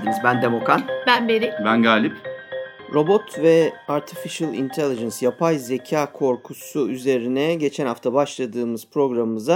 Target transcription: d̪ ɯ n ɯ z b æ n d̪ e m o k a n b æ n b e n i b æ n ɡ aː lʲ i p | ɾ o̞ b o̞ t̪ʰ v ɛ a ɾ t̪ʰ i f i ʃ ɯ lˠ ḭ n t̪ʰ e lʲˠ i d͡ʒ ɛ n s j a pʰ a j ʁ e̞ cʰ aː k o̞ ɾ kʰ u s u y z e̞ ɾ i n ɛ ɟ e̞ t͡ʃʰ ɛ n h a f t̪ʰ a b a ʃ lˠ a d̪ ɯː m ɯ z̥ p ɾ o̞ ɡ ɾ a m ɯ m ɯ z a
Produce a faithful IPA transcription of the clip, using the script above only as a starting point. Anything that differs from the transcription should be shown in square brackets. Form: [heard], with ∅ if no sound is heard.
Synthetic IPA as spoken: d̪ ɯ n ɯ z b æ n d̪ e m o k a n b æ n b e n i b æ n ɡ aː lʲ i p | ɾ o̞ b o̞ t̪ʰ v ɛ a ɾ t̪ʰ i f i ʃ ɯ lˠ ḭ n t̪ʰ e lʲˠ i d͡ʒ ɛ n s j a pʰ a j [z] e̞ cʰ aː [kʰ] o̞ ɾ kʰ u s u y z e̞ ɾ i n ɛ ɟ e̞ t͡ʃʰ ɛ n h a f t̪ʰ a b a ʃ lˠ a d̪ ɯː m ɯ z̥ p ɾ o̞ ɡ ɾ a m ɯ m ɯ z a